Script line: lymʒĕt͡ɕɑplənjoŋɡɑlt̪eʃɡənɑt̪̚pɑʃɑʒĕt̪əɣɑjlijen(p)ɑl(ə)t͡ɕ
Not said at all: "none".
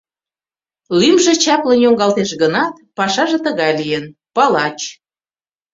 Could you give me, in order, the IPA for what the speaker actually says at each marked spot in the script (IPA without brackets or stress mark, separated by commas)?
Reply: p, ɑ